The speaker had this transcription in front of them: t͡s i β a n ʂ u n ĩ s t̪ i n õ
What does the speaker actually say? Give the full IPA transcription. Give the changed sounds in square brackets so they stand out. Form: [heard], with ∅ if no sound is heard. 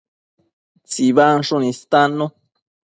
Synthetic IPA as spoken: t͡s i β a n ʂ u n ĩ s t̪ [a] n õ